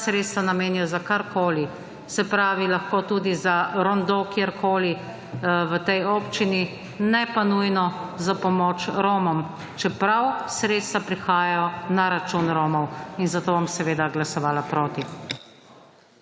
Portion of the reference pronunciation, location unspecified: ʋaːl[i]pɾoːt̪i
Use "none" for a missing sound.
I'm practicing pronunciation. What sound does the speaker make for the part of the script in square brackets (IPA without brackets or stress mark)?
a